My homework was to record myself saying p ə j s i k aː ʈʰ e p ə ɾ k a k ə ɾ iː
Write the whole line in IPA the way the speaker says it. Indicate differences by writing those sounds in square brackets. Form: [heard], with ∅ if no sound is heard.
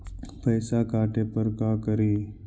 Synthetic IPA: p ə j s [a] k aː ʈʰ e p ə ɾ k a k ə ɾ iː

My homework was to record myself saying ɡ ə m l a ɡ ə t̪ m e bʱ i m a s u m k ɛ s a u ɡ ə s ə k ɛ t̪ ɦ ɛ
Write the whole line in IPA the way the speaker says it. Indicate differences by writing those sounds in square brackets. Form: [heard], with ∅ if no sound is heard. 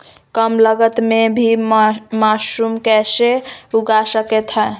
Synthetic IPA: [k] ə m l [ə] ɡ ə t̪ m e bʱ i m a s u m k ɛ s [e] u ɡ [a] s ə k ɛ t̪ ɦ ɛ

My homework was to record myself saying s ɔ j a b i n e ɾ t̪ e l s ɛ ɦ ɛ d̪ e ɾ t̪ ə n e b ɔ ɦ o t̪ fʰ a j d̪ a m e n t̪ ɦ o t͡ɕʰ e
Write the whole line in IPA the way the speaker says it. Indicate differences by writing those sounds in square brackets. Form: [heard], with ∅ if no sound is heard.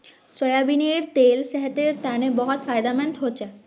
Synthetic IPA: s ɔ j a b i n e ɾ t̪ e l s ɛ ɦ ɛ [t̪] e ɾ t̪ [a] n e b ɔ ɦ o t̪ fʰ a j d̪ a m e n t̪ ɦ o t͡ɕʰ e

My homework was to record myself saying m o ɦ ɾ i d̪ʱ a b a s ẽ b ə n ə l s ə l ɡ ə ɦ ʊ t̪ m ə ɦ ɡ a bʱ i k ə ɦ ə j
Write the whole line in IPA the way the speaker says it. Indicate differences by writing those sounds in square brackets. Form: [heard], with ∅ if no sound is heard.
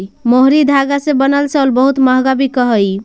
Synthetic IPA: m o ɦ ɾ i d̪ʱ a [ɡ] a s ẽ b ə n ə l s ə l [b] ə ɦ [u] t̪ m ə ɦ ɡ a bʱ i k ə ɦ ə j

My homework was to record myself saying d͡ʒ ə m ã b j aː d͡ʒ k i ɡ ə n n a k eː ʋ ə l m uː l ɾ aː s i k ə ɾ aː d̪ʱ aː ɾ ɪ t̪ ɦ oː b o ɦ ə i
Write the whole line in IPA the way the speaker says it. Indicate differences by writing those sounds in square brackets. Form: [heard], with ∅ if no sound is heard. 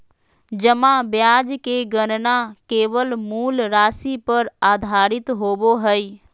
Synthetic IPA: d͡ʒ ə m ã b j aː d͡ʒ k [e] ɡ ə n n a k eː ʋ ə l m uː l ɾ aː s i [p] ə ɾ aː d̪ʱ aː ɾ ɪ t̪ ɦ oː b o ɦ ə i

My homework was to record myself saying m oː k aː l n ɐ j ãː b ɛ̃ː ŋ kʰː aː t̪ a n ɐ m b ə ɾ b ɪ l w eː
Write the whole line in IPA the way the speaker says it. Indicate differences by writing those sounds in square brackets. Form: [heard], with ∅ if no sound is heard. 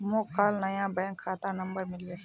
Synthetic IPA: m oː k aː l n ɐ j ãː b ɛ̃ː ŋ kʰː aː t̪ a n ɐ m b ə ɾ [m] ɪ l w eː

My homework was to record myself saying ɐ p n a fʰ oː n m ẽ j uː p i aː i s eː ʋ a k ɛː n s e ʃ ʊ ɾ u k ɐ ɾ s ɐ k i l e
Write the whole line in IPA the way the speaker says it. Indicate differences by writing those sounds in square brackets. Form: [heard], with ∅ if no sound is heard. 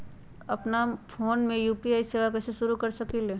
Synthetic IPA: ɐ p n a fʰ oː n m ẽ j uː p i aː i s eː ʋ a k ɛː [∅] s e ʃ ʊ ɾ u k ɐ ɾ s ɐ k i l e

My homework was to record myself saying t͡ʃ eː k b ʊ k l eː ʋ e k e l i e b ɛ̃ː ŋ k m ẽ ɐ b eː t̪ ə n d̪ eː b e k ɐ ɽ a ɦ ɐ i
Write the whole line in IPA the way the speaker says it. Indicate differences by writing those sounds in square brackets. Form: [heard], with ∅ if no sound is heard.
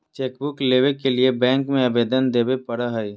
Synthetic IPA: t͡ʃ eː k b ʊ k l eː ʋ e k e l i e b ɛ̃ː ŋ k m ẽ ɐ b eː [d̪] ə n d̪ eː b e [p] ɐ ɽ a ɦ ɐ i

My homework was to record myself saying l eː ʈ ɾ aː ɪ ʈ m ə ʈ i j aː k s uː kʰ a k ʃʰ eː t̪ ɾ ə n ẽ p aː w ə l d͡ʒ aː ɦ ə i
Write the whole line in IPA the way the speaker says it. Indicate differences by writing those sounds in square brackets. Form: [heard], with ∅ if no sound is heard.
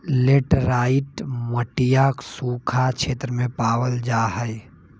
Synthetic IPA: l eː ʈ ɾ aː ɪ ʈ m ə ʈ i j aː k s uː kʰ a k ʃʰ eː t̪ ɾ ə [m] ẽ p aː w ə l d͡ʒ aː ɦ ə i

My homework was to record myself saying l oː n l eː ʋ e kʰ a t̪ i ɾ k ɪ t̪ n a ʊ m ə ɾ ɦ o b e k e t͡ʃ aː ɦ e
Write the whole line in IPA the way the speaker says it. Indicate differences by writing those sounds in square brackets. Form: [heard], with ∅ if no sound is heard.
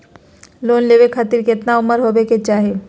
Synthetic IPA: l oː n l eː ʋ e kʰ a t̪ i ɾ k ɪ t̪ n a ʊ m ə ɾ ɦ o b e k e t͡ʃ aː ɦ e

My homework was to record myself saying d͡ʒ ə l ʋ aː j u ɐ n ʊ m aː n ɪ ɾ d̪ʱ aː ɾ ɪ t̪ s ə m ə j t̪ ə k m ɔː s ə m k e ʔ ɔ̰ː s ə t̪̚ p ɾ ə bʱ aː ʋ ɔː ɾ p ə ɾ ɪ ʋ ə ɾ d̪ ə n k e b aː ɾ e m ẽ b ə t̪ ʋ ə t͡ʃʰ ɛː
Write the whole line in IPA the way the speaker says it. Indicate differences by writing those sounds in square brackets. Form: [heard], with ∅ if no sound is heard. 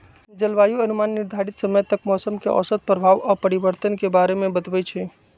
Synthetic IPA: d͡ʒ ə l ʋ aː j u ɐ n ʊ m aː [nː] ɪ ɾ d̪ʱ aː ɾ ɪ t̪ s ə m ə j t̪ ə k m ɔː s ə m k e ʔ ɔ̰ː s ə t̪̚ p ɾ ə bʱ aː ʋ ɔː ɾ p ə ɾ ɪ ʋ ə ɾ [t̪] ə n k e b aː ɾ e m ẽ b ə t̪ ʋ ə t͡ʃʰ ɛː

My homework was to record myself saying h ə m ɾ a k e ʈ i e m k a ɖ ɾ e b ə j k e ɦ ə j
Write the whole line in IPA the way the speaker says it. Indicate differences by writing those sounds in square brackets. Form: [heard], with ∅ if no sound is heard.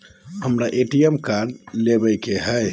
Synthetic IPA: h ə m ɾ a [ʔ] e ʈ i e m k a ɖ [l] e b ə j k e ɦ ə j

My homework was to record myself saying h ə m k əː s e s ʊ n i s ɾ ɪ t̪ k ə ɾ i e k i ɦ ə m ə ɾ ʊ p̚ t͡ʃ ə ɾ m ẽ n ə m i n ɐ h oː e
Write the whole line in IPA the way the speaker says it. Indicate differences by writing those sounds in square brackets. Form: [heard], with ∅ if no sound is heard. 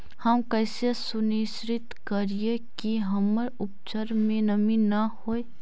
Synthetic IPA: h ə m k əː s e s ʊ n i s ɾ ɪ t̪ k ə ɾ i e k i ɦ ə m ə ɾ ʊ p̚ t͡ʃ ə ɾ m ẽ n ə m i n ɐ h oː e

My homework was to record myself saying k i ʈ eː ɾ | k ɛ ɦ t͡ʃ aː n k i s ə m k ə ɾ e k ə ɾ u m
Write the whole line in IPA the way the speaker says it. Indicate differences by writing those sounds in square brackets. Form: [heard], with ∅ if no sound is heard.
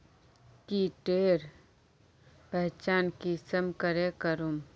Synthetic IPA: k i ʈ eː ɾ | [p] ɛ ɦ t͡ʃ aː n k i s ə m k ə ɾ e k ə ɾ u m

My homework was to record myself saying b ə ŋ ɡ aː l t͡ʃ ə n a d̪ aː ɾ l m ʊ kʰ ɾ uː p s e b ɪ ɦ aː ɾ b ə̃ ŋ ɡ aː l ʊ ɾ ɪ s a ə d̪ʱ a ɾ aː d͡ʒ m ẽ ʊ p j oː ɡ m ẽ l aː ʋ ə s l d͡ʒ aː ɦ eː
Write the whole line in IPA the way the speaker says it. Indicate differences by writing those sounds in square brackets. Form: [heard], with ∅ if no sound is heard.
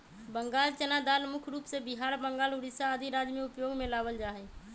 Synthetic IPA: b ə ŋ ɡ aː l t͡ʃ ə n a d̪ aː [∅] l m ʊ kʰ ɾ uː p s e b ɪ ɦ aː ɾ b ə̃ ŋ ɡ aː l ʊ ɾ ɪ s a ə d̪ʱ [i] ɾ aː d͡ʒ m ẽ ʊ p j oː ɡ m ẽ l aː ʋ ə [∅] l d͡ʒ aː ɦ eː

